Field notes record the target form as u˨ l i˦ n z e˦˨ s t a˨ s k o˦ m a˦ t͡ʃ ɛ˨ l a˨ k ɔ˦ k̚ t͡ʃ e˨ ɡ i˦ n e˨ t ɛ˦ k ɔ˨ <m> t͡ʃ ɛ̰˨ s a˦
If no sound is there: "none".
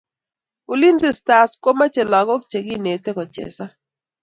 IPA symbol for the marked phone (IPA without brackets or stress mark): none